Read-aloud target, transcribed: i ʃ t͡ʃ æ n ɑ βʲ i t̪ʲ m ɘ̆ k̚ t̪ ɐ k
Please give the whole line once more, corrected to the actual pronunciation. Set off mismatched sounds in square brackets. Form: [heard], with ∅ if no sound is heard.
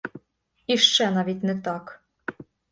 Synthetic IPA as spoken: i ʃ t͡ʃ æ n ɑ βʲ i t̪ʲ [n] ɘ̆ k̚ t̪ [ɑ] k

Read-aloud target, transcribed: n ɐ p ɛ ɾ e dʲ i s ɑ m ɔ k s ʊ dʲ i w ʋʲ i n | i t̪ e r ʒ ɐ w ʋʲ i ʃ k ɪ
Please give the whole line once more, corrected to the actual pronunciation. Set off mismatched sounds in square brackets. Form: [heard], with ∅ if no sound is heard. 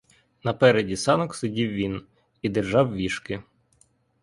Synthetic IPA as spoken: n ɐ p ɛ ɾ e dʲ i s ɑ [n] ɔ k s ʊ dʲ i w ʋʲ i n | i [d̪] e r ʒ [ɑ] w ʋʲ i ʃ k ɪ

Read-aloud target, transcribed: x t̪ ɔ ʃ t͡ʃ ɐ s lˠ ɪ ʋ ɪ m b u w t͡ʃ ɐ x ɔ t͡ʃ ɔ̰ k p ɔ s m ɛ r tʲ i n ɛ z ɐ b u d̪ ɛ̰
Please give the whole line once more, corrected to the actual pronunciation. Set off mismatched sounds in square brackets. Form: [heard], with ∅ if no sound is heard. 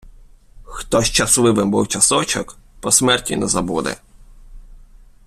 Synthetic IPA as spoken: x t̪ ɔ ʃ t͡ʃ ɐ s lˠ ɪ ʋ ɪ m b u w t͡ʃ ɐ [s] ɔ t͡ʃ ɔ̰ k p ɔ s m ɛ r tʲ i n ɛ z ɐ b u d̪ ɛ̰

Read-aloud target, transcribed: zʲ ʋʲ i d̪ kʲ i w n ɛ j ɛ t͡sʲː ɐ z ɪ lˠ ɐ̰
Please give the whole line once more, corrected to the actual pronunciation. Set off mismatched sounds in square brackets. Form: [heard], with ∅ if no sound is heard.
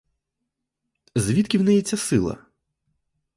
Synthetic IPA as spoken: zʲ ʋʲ i [t̪] kʲ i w n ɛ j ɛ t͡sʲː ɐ [s] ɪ lˠ ɐ̰

